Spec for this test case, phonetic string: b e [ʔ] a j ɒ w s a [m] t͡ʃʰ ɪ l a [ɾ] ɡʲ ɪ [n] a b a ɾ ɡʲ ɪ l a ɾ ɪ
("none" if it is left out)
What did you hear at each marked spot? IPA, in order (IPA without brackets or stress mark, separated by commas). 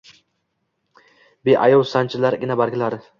ʔ, n, ɾ, n